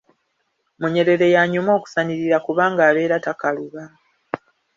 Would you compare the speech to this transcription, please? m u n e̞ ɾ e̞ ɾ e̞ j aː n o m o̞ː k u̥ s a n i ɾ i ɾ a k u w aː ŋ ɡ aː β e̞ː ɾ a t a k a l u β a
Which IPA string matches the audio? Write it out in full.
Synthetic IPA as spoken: m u ɲ e̞ ɾ e̞ ɾ e̞ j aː ɲ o m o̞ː k u̥ s a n i ɾ i ɾ a k u β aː ŋ ɡ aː β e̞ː ɾ a t a k a l u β a

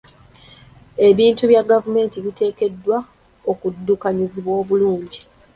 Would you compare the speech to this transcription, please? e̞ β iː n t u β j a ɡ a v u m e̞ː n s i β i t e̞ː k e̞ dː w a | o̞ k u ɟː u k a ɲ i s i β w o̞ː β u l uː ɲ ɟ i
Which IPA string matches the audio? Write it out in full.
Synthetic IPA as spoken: e̞ β iː n t u β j a ɡ a v u m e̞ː n t i β i t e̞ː k e̞ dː w a | o̞ k u dː u k a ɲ i z i β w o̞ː β u l uː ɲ ɟ i

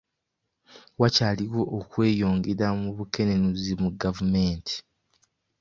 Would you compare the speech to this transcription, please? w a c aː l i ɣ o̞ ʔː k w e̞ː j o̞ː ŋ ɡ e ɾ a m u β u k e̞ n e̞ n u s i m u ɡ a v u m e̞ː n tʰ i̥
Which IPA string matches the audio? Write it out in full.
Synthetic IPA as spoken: w a c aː l i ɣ o̞ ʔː k w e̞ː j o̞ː ŋ ɡ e ɾ a m u β u k e̞ n e̞ n u z i m u ɡ a v u m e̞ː n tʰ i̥

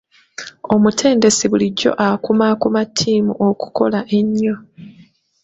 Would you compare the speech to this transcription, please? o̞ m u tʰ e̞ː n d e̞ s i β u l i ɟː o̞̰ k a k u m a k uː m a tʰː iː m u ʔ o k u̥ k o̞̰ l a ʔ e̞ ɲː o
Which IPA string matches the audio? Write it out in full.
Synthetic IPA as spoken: o̞ m u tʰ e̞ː n d e̞ s i β u l i ɟː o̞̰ ʔ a k u m a k u m a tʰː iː m u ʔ o k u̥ k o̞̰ l a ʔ e̞ ɲː o

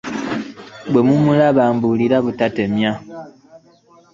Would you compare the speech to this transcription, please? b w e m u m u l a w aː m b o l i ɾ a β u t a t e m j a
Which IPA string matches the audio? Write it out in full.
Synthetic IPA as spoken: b w e m u m u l a β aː m b u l i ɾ a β u t a t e m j a

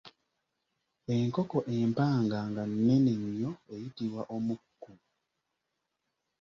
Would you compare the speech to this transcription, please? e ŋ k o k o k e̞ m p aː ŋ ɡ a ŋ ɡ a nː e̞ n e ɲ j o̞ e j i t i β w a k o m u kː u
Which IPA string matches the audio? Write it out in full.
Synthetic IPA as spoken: e ŋ k o k o ʔ e̞ m p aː ŋ ɡ a ŋ ɡ a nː e̞ n e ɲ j o̞ e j i t i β w a ʔ o m u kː u

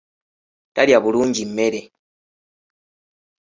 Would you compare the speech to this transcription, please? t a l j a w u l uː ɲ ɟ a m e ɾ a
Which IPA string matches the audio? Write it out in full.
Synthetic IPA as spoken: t a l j a β u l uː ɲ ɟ i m e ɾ e

